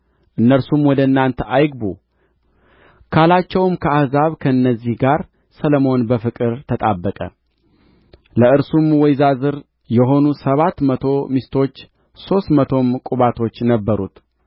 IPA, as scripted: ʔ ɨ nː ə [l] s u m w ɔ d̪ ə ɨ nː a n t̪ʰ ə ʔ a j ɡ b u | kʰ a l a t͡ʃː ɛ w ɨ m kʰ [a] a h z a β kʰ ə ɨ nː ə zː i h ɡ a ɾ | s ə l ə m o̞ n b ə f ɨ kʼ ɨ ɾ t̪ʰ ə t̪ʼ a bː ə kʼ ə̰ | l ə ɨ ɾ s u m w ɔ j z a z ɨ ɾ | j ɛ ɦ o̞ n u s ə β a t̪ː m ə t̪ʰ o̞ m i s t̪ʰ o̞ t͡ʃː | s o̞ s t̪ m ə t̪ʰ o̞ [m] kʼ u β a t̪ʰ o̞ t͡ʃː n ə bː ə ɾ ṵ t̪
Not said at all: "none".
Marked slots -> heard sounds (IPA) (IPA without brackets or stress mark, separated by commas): ɾ, ə, m